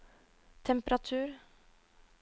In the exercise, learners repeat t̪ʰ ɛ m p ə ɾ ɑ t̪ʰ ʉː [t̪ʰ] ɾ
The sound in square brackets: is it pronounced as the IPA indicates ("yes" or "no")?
no